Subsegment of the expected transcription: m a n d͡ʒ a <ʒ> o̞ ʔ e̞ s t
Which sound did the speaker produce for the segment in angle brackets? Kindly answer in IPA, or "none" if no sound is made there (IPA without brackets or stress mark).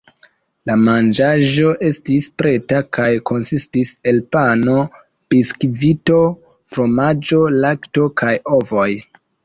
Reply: ʒ